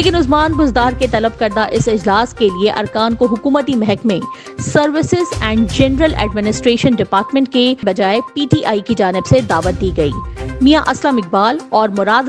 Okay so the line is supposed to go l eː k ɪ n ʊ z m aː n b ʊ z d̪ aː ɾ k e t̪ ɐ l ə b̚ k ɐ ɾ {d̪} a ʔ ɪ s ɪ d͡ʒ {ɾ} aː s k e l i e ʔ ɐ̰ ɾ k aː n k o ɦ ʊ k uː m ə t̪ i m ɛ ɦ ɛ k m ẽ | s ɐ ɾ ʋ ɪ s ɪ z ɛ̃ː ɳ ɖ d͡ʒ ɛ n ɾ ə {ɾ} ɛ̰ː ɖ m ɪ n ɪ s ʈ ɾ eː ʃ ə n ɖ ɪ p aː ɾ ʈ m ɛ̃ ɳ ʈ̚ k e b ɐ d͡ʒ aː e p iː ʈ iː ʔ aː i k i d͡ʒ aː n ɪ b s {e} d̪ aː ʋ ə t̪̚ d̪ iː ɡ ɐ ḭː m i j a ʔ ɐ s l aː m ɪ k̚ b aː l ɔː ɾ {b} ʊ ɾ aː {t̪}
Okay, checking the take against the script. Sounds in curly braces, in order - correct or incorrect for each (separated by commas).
correct, incorrect, incorrect, correct, incorrect, incorrect